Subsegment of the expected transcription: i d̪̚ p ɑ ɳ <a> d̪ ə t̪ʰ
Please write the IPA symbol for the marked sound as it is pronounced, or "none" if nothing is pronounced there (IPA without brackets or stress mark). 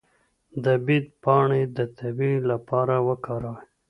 e